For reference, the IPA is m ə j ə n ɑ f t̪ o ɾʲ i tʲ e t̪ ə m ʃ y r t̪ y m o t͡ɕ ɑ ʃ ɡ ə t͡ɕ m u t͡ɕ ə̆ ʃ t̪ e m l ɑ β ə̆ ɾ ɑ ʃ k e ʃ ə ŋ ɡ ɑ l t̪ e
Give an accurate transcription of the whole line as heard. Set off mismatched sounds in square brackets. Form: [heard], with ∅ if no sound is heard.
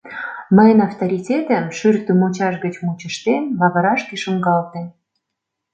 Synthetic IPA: m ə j ə n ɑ f t̪ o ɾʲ i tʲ e t̪ ə m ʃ y r t̪ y m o t͡ɕ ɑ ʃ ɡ ə t͡ɕ m u t͡ɕ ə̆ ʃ t̪ e m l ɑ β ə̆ ɾ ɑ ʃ k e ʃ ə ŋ ɡ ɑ l t̪ e